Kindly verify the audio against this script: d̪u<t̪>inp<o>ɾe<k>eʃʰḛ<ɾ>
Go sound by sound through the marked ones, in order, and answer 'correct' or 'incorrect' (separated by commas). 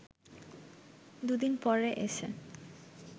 incorrect, incorrect, incorrect, incorrect